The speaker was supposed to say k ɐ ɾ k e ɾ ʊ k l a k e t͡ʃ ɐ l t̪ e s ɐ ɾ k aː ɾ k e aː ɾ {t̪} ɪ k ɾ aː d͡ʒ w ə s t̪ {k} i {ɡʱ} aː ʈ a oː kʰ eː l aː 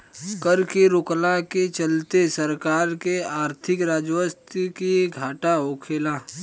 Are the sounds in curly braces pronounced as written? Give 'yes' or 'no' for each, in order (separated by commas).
no, yes, yes